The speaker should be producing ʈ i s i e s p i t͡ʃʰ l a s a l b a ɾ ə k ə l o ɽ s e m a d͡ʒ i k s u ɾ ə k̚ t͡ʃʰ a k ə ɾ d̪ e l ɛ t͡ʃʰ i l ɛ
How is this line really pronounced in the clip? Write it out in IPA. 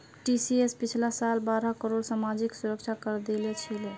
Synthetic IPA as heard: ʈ i s i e s p i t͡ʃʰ l a s a l b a ɾ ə k ə ɾ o ɽ s a m a d͡ʒ i k s u ɾ ə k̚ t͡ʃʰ a k ə ɾ d̪ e l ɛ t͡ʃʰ i l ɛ